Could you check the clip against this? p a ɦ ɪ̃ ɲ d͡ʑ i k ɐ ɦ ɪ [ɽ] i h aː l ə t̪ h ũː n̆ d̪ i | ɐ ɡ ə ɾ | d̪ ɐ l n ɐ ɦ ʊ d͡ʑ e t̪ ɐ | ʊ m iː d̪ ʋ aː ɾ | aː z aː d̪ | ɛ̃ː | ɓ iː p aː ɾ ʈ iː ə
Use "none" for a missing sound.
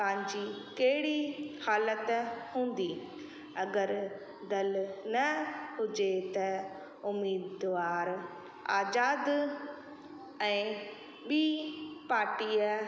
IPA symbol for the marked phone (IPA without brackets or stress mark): ɽ